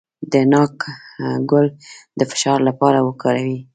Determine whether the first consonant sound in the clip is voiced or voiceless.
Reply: voiced